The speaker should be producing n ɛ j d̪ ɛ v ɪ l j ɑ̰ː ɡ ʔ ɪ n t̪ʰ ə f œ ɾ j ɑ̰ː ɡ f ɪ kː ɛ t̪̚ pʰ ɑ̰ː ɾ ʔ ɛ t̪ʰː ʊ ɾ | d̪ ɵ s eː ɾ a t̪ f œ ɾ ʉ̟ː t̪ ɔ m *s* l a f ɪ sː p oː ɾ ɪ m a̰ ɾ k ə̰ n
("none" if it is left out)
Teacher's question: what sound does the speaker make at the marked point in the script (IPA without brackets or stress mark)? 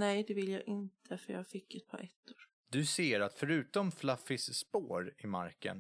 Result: f